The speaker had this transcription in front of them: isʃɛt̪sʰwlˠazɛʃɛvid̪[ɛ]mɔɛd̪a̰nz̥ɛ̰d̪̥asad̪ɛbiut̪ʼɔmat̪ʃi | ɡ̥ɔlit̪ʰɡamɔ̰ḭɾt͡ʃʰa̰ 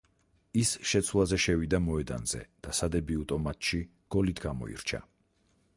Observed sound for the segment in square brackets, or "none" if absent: a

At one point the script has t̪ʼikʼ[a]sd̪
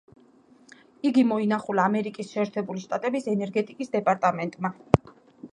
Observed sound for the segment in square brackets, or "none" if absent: i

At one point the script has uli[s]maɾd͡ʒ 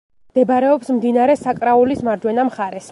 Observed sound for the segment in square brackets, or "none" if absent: s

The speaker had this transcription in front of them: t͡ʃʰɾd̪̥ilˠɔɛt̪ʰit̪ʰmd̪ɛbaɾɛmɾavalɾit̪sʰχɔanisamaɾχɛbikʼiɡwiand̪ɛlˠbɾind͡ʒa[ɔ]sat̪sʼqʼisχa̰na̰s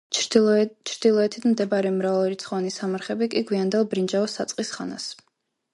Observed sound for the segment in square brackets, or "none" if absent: ɔ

